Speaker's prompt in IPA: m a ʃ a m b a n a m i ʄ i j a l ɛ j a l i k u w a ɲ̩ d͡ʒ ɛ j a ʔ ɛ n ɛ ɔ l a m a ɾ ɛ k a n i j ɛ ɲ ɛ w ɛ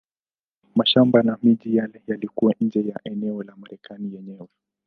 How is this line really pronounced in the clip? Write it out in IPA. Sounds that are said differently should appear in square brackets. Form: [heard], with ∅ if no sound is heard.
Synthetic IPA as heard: m a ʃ a m b a n a m i ʄ i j a l ɛ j a l i k u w a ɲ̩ d͡ʒ ɛ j a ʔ ɛ n ɛ ɔ l a m a ɾ ɛ k a n i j ɛ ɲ ɛ w ɛ